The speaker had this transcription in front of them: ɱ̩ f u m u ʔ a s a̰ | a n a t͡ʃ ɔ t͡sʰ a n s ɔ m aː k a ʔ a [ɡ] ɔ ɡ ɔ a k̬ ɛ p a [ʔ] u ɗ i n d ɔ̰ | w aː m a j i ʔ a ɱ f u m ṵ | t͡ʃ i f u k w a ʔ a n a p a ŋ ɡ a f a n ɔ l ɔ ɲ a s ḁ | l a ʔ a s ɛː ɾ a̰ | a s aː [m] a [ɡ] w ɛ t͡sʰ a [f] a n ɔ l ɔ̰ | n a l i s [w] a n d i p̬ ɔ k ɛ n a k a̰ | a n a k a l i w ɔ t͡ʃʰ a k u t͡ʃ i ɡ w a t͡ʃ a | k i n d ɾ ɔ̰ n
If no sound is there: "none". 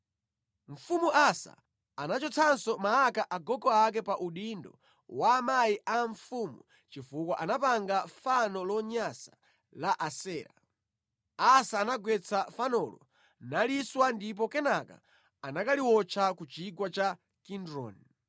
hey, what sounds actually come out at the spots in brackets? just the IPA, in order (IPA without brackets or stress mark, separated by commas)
ɡ, ʔ, n, ɡ, f, w